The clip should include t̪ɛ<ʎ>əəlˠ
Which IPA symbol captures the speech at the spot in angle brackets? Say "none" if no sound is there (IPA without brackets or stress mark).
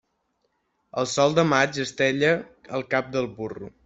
ʎ